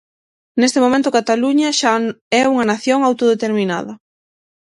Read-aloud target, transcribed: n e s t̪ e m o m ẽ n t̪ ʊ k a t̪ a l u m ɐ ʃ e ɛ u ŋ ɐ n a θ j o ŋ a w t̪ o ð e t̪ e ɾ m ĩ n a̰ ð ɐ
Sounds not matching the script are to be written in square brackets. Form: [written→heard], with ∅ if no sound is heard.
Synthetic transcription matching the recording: n e s t̪ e m o m ẽ n t̪ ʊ k a t̪ a l u [m→ɲ] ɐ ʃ [e→a] ɛ u ŋ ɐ n a θ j o ŋ a w t̪ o ð e t̪ e ɾ m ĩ n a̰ ð ɐ